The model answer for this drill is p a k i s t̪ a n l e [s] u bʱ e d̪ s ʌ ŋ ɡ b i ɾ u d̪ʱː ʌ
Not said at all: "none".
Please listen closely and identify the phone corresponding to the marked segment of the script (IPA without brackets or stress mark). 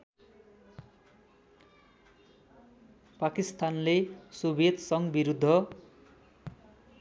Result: s